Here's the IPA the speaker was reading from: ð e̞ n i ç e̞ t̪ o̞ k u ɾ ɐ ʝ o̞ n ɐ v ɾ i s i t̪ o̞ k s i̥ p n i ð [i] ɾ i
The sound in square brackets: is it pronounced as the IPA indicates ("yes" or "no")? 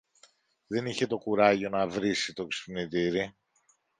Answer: yes